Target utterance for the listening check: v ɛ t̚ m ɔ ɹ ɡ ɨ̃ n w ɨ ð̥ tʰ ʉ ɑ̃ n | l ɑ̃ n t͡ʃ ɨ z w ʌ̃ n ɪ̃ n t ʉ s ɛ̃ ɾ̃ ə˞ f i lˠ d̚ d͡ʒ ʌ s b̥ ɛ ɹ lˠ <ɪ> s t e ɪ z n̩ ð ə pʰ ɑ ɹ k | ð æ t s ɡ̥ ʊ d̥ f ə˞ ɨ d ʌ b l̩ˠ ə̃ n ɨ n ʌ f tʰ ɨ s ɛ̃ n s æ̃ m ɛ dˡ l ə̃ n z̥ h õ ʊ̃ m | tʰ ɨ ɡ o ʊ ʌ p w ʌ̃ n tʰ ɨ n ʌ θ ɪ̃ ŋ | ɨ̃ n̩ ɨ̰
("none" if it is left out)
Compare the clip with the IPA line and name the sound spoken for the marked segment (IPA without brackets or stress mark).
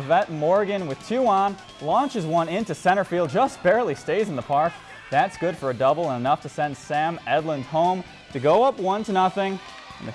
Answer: i